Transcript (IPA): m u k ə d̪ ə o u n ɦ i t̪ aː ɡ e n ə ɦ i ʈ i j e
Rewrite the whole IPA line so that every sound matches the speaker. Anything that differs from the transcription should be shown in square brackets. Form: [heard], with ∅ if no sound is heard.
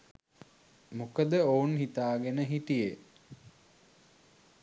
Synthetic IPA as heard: m u k ə d̪ ə o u n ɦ i t̪ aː ɡ e n ə ɦ i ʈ i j e